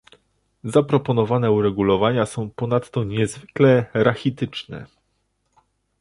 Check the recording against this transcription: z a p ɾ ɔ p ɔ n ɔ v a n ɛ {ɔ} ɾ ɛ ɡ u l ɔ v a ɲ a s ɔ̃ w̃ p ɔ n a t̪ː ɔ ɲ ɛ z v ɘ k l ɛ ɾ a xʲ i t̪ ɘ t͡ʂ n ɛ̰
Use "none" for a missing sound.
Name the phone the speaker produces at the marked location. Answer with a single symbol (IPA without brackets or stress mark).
u